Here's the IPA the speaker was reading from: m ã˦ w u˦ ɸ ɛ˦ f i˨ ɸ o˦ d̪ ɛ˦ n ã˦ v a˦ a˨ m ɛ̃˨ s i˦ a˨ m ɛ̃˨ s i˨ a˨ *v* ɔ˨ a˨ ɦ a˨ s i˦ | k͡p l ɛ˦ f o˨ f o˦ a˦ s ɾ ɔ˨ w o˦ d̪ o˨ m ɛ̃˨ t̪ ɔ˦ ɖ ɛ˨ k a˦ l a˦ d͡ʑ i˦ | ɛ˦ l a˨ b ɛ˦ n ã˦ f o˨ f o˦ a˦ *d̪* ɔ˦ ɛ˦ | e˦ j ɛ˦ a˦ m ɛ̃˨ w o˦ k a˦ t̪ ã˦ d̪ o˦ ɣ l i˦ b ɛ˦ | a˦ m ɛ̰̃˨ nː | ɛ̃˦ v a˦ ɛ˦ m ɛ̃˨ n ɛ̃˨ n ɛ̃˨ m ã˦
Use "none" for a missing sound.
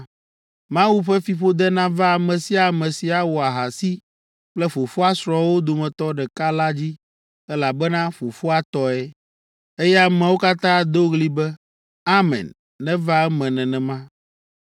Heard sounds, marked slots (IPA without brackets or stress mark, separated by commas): w, t̪